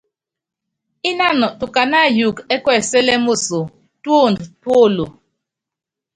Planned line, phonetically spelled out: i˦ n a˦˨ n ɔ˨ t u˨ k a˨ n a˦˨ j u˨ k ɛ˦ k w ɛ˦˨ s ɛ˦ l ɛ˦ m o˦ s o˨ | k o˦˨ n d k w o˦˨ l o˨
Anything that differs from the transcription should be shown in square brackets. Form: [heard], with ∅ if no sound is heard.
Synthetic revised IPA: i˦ n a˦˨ n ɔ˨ t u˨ k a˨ n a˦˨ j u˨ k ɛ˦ k w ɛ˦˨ s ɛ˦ l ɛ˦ m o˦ s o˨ | [t] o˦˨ n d [t] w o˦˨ l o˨